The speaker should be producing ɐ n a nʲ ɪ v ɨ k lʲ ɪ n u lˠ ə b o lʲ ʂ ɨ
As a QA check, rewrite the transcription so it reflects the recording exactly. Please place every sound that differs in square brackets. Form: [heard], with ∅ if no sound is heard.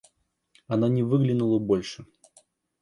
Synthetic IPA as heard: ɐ n a nʲ ɪ v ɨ [ɡ] lʲ ɪ n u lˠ ə b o lʲ ʂ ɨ